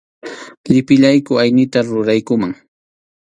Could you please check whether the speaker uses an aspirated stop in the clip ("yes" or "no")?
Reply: no